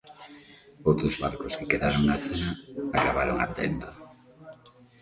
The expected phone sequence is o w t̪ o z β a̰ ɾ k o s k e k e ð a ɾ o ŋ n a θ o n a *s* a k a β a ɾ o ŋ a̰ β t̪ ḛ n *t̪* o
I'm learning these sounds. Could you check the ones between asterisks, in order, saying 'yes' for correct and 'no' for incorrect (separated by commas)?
no, no